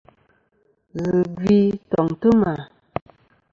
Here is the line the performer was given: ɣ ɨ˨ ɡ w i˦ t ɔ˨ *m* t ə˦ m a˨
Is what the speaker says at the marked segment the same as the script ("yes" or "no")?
no